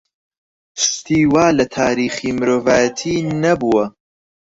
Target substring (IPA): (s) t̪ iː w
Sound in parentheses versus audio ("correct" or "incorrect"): correct